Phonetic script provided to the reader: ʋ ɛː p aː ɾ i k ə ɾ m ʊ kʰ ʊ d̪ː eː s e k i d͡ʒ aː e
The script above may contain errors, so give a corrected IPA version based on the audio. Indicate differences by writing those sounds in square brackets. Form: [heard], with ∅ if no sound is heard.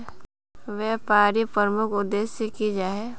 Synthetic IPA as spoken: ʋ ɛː p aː ɾ i [p] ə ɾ m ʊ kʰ ʊ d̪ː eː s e k i d͡ʒ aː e